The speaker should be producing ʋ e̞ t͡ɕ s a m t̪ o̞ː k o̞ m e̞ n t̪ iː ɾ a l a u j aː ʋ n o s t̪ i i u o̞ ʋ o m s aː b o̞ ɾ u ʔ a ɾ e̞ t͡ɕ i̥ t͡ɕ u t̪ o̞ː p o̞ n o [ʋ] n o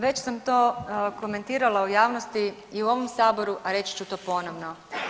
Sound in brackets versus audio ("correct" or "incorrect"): correct